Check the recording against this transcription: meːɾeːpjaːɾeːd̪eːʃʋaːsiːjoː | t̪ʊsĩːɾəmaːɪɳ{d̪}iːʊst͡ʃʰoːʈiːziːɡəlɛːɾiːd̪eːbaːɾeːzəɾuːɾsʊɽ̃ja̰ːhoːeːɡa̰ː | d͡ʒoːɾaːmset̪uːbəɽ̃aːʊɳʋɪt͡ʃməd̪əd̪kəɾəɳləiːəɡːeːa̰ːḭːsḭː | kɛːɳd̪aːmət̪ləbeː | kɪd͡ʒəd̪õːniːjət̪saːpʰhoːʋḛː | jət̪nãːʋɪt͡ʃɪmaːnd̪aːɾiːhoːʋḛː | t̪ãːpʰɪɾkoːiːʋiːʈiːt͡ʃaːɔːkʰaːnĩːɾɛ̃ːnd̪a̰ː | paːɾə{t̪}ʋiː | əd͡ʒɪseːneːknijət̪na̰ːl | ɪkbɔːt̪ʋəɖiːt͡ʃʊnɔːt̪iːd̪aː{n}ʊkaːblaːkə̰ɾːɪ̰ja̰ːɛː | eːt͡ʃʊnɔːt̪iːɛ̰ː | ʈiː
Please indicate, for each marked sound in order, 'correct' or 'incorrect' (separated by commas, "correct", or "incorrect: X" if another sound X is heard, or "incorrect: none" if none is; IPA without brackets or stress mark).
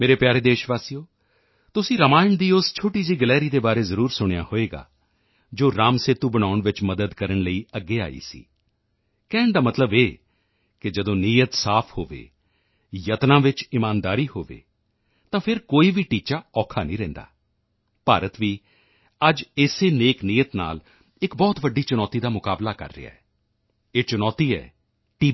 correct, correct, incorrect: m